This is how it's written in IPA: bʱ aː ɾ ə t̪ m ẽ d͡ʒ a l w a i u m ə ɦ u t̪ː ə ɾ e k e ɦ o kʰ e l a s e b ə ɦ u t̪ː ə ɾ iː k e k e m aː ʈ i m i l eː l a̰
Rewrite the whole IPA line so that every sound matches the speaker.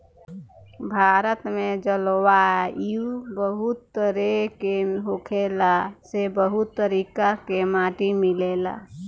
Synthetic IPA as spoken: bʱ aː ɾ ə t̪ m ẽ d͡ʒ ə l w a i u b ə ɦ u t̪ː ə ɾ e k e ɦ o kʰ e l a s e b ə ɦ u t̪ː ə ɾ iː k a k e m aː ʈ i m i l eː l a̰